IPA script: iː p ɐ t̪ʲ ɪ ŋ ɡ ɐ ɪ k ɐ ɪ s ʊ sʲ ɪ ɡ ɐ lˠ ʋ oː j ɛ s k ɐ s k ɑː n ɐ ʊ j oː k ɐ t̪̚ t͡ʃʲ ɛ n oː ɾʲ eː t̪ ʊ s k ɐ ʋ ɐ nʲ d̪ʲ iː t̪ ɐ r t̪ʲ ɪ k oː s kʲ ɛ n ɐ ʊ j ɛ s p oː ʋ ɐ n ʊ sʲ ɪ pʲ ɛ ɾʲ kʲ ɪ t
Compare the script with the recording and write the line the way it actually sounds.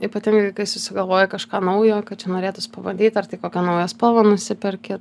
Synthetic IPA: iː p ɐ t̪ʲ ɪ ŋ ɡ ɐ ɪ k ɐ ɪ s ʊ sʲ ɪ ɡ ɐ lˠ ʋ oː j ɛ k ɐ ʃ k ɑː n ɐ ʊ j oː k ɐ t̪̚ t͡ʃʲ ɛ n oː ɾʲ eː t̪ ʊ s p ɐ ʋ ɐ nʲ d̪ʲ iː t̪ ɐ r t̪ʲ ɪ k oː kʲ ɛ n ɐ ʊ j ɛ s p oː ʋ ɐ n ʊ sʲ ɪ pʲ ɛ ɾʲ kʲ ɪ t

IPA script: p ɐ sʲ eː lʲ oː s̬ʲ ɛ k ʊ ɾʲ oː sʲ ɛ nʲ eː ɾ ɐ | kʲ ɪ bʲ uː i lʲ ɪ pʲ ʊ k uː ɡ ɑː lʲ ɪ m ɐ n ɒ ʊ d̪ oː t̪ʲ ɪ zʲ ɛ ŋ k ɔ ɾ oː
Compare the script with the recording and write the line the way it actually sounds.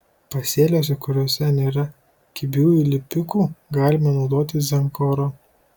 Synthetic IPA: p ɐ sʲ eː lʲ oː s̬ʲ ɛ k ʊ ɾʲ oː sʲ ɛ nʲ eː ɾ ɐ | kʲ ɪ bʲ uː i lʲ ɪ pʲ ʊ k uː ɡ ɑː lʲ ɪ m ɐ n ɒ ʊ d̪ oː t̪ʲ ɪ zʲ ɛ ŋ k ɔ ɾ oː

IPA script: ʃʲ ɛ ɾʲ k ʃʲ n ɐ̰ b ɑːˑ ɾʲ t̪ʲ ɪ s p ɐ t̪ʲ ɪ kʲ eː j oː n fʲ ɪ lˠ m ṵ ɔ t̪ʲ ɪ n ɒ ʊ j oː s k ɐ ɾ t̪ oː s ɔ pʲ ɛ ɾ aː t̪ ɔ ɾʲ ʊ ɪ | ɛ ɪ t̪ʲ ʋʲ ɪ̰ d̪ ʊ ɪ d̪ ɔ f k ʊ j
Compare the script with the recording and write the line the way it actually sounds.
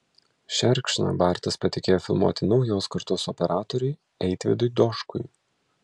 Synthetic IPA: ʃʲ ɛ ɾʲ k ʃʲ n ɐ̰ b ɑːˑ ɾʲ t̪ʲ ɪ s p ɐ t̪ʲ ɪ kʲ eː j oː fʲ ɪ lˠ m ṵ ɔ t̪ʲ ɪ n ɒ ʊ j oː s k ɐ ɾ t̪ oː s ɔ pʲ ɛ ɾ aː t̪ ɔ ɾʲ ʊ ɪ | ɛ ɪ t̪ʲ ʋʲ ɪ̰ d̪ ʊ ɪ d̪ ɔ ʃ k ʊ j

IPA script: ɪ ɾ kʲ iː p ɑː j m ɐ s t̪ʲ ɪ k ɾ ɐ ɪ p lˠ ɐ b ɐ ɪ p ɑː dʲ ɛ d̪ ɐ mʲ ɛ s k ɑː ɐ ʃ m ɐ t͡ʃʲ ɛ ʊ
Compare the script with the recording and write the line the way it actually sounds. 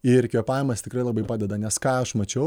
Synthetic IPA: ɪ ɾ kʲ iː p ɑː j m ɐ s t̪ʲ ɪ k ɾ ɐ ɪ lˠ ɐ b ɐ ɪ p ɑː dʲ ɛ d̪ ɐ nʲ ɛ s k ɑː ɐ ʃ m ɐ t͡ʃʲ ɛ ʊ

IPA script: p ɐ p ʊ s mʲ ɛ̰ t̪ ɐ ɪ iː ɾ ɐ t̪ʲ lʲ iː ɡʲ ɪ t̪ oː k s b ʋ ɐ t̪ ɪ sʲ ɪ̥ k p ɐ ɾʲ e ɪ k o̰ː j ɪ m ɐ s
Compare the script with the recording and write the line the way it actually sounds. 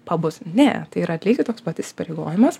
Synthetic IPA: p ɐ b ʊ s nʲ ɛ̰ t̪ ɐ ɪ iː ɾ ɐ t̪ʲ lʲ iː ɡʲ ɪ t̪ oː k s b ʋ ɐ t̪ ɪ sʲ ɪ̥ p ɐ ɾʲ e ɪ ɡ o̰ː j ɪ m ɐ s

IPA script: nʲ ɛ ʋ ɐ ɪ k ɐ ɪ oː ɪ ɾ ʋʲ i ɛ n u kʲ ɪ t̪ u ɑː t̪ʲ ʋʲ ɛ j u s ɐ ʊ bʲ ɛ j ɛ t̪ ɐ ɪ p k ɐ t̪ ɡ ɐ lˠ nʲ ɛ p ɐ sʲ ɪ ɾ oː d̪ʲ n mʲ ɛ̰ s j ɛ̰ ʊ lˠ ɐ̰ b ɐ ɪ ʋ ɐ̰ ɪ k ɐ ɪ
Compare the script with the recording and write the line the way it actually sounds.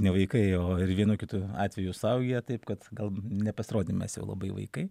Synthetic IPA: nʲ ɛ ʋ ɐ ɪ k ɐ ɪ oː ɪ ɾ ʋʲ i ɛ n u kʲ ɪ t̪ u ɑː t̪ʲ ʋʲ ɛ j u s ɐ ʊ ɡʲ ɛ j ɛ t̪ ɐ ɪ p k ɐ t̪ ɡ ɐ lˠ nʲ ɛ p ɐ sʲ ɪ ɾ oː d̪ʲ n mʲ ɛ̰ s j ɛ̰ ʊ lˠ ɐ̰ b ɐ ɪ ʋ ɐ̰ ɪ k ɐ ɪ

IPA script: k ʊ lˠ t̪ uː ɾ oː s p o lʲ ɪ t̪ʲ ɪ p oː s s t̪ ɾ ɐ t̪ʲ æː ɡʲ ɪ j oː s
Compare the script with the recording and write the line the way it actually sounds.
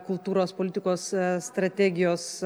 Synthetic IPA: k ʊ lˠ t̪ uː ɾ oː s p o lʲ ɪ t̪ʲ ɪ k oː s s t̪ ɾ ɐ t̪ʲ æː ɡʲ ɪ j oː s

